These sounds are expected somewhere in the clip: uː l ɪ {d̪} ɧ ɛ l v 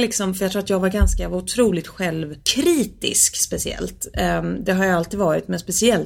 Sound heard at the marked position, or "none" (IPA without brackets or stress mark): t̪